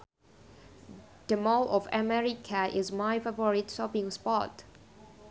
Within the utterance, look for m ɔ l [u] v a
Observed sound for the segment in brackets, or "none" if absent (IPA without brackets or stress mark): ɔ